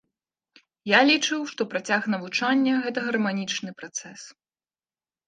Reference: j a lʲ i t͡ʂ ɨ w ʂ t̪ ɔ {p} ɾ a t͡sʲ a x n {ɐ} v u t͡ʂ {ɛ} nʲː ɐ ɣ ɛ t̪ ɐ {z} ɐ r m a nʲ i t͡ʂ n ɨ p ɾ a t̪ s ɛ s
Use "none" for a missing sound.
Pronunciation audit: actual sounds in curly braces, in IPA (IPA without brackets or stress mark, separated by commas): p, ɐ, a, ɣ